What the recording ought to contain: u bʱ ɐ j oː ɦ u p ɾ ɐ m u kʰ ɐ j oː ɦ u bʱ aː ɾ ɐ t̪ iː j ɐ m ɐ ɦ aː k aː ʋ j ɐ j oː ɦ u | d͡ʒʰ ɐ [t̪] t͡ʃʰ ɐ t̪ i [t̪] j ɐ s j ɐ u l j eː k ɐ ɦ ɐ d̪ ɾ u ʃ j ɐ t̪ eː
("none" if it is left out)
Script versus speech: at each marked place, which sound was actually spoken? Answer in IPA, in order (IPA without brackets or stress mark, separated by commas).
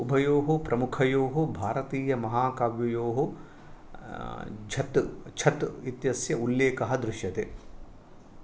t̪, t̪